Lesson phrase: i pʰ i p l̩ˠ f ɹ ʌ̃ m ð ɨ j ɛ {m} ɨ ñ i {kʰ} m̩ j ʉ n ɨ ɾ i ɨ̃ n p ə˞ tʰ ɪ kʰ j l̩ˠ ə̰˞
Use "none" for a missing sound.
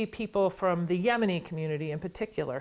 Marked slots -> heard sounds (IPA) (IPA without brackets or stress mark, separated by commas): m, kʰ